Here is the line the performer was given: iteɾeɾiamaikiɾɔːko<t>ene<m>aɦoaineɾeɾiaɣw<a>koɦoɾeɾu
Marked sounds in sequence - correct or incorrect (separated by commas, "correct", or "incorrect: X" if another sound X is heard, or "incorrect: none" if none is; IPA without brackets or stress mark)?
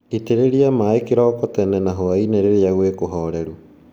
correct, incorrect: n, incorrect: e